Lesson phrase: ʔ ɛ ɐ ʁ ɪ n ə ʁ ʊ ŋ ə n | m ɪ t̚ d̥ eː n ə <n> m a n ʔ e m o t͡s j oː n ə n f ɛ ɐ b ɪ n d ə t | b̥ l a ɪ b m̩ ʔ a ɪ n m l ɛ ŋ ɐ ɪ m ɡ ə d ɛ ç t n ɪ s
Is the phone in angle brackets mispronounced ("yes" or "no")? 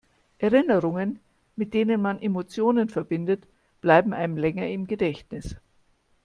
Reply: no